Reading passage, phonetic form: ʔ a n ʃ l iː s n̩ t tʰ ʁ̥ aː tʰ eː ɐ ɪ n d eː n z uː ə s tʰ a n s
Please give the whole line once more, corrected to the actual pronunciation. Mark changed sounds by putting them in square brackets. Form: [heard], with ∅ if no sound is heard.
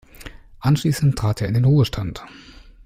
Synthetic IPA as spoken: ʔ a n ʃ l iː s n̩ t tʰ ʁ̥ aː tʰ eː ɐ ɪ n d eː n [ʁ] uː ə [ʃ] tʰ a n [t]

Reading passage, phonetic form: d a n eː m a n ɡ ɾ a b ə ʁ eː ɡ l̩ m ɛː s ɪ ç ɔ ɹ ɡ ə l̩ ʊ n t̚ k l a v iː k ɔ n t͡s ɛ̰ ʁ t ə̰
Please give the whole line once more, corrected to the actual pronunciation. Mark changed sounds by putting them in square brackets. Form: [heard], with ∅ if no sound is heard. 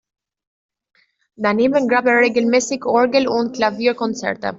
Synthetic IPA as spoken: d a n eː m [ə] n ɡ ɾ a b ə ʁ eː ɡ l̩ m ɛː s ɪ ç ɔ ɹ ɡ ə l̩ ʊ n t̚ k l a v iː k ɔ n t͡s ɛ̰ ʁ t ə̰

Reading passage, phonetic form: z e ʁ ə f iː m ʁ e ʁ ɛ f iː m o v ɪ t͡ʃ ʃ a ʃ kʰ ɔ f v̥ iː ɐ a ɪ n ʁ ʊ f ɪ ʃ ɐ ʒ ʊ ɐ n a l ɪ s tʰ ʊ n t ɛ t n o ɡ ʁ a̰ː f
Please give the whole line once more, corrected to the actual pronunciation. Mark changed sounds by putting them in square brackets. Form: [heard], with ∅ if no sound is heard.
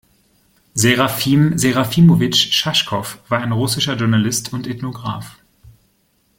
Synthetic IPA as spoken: z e ʁ [a] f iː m [z] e ʁ [a] f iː m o v ɪ t͡ʃ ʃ a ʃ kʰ ɔ f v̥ [aː] ɐ a ɪ n ʁ ʊ [s] ɪ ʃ ɐ ʒ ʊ ɐ n a l ɪ s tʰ ʊ n t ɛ t n o ɡ ʁ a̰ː f

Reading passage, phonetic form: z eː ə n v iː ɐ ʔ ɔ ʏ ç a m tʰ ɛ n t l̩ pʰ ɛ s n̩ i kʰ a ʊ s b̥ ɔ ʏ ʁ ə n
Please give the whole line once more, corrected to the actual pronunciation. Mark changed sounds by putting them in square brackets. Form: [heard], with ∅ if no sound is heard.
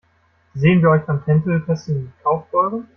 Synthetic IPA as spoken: z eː ə n v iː ɐ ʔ ɔ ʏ ç a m tʰ ɛ n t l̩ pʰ ɛ s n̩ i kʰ a ʊ [f] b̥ ɔ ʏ ʁ ə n

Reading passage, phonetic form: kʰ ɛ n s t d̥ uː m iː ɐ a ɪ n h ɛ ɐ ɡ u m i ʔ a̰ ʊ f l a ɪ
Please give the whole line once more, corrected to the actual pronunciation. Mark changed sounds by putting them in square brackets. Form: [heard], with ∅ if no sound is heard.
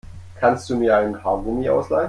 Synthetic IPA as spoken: kʰ [a] n s t d̥ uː m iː ɐ a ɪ n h [a] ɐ ɡ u m i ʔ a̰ ʊ [s] l a ɪ

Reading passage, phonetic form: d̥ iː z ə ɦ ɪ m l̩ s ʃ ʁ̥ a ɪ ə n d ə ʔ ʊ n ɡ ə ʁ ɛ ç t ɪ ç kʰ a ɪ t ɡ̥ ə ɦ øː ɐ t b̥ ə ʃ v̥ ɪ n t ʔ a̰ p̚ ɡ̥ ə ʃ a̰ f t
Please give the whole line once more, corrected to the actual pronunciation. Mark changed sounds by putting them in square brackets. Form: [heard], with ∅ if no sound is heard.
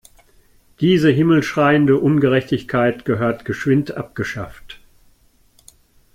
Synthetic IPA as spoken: d̥ iː z ə ɦ ɪ m l̩ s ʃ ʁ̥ a ɪ ə n d ə ʔ ʊ n ɡ ə ʁ ɛ ç t ɪ ç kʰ a ɪ t ɡ̥ ə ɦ øː ɐ t [ɡ̥] ə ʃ v̥ ɪ n t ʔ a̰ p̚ ɡ̥ ə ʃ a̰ f t

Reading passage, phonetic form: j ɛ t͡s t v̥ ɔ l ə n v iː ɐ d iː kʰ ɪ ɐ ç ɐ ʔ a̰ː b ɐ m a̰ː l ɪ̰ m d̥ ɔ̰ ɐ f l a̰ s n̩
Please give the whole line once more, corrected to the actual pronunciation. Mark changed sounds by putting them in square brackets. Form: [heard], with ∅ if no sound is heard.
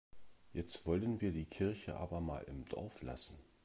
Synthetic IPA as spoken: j ɛ t͡s t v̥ ɔ l ə n v iː ɐ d iː kʰ ɪ ɐ ç [ə] ʔ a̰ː b ɐ m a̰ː l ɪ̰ m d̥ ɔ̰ ɐ f l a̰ s n̩

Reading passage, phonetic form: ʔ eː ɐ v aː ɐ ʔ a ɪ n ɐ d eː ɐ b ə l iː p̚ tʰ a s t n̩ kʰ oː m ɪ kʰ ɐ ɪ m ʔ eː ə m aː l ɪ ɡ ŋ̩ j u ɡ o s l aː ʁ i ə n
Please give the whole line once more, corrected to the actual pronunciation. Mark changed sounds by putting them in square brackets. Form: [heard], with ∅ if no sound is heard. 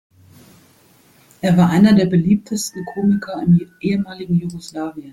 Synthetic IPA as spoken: ʔ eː ɐ v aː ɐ ʔ a ɪ n ɐ d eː ɐ b ə l iː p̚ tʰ [ə] s t n̩ kʰ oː m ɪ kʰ ɐ ɪ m ʔ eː ə m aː l ɪ ɡ ŋ̩ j u ɡ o s l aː [v] i ə n

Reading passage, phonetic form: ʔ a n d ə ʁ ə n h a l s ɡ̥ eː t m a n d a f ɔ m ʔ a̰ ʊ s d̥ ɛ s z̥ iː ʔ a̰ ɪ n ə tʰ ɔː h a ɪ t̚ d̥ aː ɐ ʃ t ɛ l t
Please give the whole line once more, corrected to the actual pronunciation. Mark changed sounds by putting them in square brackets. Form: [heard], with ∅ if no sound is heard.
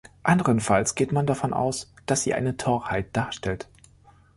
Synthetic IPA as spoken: ʔ a n d ə ʁ ə n [f] a l s ɡ̥ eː t m a n d a f ɔ [n] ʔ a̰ ʊ s d̥ [a] s z̥ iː ʔ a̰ ɪ n ə tʰ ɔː h a ɪ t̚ d̥ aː ɐ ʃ t ɛ l t

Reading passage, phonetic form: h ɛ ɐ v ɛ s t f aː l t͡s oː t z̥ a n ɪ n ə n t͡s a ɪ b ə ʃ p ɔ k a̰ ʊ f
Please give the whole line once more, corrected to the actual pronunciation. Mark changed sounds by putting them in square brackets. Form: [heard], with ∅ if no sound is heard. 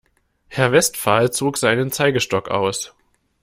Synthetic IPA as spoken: h ɛ ɐ v ɛ s t f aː l t͡s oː [k] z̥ a [∅] ɪ n ə n t͡s a ɪ [ɡ] ə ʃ [t] ɔ k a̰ ʊ [s]

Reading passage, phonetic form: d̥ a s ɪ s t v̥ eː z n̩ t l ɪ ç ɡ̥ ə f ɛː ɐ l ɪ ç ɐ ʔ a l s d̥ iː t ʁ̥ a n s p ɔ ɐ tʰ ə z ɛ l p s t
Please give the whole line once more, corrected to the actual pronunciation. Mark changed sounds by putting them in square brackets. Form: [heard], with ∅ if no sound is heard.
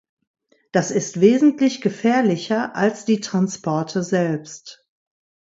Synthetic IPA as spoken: d̥ a s ɪ s t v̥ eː z n̩ t l ɪ ç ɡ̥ ə f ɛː ɐ l ɪ ç ɐ ʔ a l s d̥ iː t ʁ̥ a n s p ɔ ɐ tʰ ə z ɛ l p s t

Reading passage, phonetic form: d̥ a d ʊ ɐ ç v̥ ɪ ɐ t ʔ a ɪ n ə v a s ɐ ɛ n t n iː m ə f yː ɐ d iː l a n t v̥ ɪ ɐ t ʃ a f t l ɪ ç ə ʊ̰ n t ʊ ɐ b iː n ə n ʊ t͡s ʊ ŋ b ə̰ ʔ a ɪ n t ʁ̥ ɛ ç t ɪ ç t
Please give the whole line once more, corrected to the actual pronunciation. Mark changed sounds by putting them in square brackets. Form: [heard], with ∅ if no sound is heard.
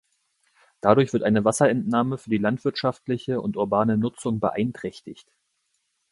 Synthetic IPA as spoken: d̥ a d ʊ ɐ ç v̥ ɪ ɐ t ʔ a ɪ n ə v a s ɐ ɛ n t n [aː] m ə f yː ɐ d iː l a n t v̥ ɪ ɐ t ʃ a f t l ɪ ç ə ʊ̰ n t ʊ ɐ b [aː] n ə n ʊ t͡s ʊ ŋ b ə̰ ʔ a ɪ n t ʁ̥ ɛ ç t ɪ ç t

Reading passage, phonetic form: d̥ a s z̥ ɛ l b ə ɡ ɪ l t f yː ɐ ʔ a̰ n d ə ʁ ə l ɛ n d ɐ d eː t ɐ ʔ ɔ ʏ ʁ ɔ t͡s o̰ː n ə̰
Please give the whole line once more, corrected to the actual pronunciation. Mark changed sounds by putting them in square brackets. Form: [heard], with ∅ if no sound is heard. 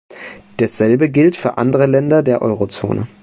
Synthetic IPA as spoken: d̥ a s z̥ ɛ l b ə ɡ ɪ l t f yː ɐ ʔ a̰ n d ə ʁ ə l ɛ n d ɐ d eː [∅] ɐ ʔ ɔ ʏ ʁ [o] t͡s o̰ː n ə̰

